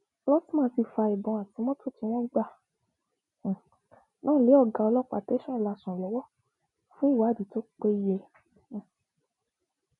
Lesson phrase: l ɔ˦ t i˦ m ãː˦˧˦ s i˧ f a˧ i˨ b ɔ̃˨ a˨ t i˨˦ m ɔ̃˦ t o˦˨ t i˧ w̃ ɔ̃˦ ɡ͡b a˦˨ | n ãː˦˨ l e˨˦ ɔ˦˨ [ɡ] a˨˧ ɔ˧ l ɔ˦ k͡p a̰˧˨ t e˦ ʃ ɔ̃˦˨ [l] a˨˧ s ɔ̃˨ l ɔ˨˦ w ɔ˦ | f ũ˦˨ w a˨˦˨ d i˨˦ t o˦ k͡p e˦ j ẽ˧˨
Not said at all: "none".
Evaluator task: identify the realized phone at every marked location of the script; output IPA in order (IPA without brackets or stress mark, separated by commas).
ɡ, l